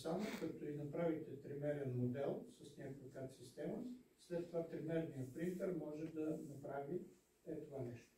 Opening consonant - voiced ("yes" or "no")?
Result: no